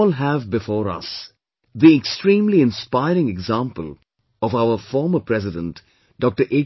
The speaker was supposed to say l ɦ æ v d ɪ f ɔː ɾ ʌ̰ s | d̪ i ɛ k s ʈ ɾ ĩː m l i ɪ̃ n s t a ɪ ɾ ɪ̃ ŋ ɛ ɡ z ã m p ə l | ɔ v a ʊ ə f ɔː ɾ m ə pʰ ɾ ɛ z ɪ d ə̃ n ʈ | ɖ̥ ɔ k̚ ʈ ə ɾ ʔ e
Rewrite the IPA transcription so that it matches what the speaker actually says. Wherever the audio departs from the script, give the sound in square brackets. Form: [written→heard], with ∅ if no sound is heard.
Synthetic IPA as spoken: l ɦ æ v [d→b] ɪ f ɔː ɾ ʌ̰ s | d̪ i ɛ k s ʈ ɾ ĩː m l i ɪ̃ n s [t→p] a ɪ ɾ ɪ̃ ŋ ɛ ɡ z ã m p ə l | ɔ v a ʊ ə f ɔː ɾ m ə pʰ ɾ ɛ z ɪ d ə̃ n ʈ | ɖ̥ ɔ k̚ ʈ ə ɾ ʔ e